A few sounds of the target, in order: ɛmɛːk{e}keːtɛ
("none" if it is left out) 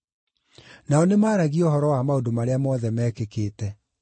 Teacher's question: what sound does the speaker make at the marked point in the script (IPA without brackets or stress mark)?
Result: e